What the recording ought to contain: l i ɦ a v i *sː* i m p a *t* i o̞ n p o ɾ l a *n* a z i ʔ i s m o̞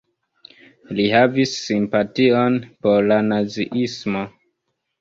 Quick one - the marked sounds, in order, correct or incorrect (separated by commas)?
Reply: correct, correct, correct